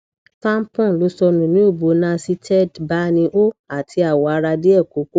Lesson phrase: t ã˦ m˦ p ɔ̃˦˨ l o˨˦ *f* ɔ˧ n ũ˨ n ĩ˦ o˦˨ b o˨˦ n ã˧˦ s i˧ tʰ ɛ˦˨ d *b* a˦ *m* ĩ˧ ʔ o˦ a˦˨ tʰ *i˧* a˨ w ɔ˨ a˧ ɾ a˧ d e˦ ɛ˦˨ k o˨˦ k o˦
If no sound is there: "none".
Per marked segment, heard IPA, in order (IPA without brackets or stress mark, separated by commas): s, b, n, i˧